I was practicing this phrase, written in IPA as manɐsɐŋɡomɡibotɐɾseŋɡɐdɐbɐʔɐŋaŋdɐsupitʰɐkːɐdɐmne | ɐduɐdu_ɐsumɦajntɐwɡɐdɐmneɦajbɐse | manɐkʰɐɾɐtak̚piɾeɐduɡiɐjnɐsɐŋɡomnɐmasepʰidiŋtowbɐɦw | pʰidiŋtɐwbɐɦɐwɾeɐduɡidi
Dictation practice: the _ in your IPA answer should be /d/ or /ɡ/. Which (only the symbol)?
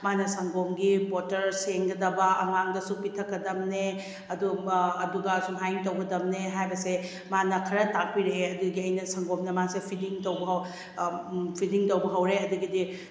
ɡ